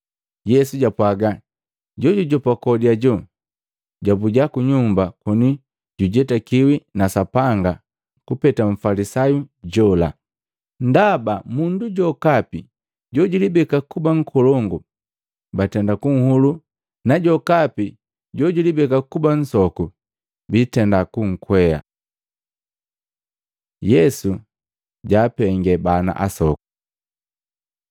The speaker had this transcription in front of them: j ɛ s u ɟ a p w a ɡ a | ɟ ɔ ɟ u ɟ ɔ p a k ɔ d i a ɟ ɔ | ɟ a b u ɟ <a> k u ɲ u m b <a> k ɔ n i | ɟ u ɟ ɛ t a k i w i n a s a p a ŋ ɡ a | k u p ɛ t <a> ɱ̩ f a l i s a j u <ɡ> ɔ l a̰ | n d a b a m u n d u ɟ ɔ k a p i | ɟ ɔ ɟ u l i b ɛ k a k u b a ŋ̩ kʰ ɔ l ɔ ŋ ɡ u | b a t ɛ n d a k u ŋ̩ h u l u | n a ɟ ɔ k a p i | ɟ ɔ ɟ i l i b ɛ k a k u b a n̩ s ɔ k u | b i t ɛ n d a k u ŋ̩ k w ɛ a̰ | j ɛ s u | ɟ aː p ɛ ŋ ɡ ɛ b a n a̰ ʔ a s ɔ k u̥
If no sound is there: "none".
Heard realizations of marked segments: a, a, a, ɟ

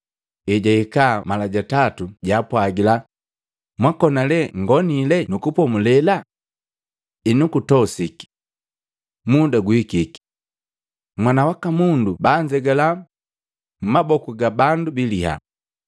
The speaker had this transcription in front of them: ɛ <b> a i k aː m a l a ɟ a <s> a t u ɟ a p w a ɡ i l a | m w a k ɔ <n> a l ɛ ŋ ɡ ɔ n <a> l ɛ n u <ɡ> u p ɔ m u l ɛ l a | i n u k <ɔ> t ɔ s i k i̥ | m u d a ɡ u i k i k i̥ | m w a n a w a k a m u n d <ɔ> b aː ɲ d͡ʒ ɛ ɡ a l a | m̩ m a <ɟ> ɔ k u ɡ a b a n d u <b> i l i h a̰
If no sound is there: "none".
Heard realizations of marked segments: ɟ, t, n, i, k, u, u, b, b

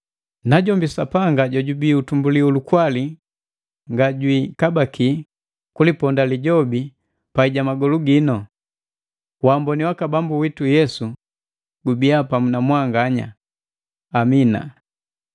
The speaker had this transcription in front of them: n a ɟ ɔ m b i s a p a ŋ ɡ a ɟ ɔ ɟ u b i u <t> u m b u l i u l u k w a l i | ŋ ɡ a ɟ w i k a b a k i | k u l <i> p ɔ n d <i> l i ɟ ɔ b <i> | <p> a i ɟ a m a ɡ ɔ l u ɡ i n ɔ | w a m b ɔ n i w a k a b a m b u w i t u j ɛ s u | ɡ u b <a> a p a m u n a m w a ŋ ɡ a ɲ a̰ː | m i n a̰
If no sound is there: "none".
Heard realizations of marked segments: t, i, a, i, p, i

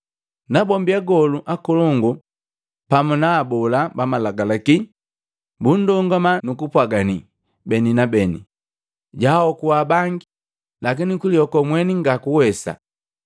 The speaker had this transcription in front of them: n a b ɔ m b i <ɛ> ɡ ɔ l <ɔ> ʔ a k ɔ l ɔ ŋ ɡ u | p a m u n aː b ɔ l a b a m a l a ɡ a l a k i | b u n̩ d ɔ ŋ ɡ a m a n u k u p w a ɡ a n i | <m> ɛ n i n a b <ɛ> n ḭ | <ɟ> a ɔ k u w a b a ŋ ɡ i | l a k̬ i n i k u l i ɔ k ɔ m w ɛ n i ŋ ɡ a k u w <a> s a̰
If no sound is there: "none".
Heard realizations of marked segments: a, u, b, ɛ, ɟ, ɛ

